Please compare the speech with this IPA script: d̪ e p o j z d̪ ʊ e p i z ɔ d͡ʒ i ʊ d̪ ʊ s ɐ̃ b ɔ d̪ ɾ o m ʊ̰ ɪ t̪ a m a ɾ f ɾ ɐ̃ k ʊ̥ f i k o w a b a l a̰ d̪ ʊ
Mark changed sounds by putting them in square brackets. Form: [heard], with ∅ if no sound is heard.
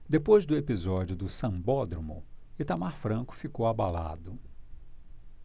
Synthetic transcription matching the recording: d̪ e p o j z d̪ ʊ e p i z ɔ d͡ʒ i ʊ d̪ ʊ s ɐ̃ b ɔ d̪ ɾ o m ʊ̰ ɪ t̪ a m a ɾ f ɾ ɐ̃ k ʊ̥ f i k o w a b a l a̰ d̪ ʊ